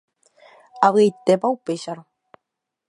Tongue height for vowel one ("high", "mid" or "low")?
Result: low